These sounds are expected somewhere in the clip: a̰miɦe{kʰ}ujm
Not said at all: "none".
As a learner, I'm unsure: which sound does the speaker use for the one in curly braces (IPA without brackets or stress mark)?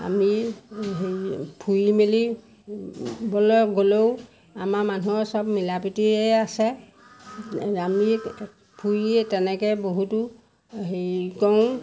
pʰ